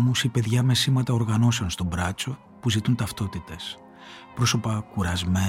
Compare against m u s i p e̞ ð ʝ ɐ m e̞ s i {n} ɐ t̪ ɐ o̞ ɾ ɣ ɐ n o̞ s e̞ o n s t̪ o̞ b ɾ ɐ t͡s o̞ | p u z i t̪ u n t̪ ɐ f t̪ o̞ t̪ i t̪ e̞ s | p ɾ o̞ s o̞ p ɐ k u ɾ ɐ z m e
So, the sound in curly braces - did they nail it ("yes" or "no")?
no